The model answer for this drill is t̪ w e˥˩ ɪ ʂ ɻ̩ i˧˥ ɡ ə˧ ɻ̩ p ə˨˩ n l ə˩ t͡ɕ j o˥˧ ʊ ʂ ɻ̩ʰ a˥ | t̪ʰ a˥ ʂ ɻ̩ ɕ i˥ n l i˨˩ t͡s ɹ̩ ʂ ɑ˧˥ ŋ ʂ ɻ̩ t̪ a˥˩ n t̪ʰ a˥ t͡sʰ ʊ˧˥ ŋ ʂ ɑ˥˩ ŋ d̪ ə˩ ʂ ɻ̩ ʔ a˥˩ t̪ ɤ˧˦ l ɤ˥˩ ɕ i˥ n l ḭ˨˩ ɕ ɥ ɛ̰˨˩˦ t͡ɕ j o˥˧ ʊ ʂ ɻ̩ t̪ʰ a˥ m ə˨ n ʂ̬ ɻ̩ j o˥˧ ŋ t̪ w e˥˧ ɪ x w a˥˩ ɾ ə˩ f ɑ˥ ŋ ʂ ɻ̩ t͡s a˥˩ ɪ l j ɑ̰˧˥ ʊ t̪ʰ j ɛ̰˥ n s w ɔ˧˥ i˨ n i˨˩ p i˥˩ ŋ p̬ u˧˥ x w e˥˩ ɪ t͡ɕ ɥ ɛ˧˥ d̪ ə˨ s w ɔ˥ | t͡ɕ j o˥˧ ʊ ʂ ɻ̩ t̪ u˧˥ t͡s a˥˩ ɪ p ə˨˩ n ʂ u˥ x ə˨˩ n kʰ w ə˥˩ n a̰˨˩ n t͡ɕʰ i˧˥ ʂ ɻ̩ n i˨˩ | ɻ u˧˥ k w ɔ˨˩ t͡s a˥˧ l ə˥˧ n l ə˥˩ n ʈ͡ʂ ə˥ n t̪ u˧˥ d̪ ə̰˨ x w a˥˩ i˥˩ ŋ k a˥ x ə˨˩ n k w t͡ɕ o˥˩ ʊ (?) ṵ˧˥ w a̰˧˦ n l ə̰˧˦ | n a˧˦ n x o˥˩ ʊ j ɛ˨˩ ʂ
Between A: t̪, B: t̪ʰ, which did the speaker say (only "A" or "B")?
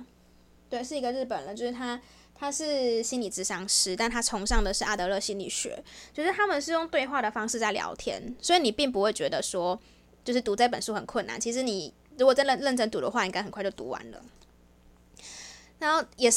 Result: A